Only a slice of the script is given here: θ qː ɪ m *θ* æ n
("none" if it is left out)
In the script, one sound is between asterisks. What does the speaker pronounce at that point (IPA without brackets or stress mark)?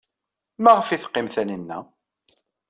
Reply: θ